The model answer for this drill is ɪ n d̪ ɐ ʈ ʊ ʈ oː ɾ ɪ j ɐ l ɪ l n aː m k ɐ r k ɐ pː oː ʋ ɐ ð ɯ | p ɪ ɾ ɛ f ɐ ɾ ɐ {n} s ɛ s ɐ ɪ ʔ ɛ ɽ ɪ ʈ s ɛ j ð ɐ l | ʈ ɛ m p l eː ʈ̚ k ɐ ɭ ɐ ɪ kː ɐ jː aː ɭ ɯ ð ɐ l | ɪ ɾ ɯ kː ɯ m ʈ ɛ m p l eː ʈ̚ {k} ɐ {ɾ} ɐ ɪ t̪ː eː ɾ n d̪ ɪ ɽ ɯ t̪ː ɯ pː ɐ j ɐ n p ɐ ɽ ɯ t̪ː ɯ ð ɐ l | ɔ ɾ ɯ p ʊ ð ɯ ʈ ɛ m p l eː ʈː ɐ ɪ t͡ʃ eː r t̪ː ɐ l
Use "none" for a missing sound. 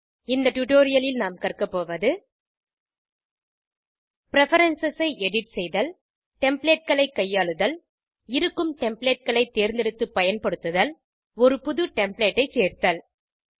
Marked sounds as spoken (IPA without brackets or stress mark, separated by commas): n, k, ɭ